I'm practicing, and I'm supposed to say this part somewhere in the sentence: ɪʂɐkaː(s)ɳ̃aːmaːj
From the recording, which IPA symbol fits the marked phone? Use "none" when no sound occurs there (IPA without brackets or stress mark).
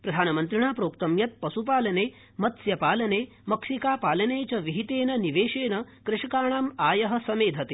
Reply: none